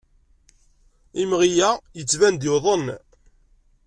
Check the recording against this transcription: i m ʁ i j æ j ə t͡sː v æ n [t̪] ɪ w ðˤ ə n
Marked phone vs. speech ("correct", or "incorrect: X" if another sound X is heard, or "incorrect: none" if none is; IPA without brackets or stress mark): incorrect: d̪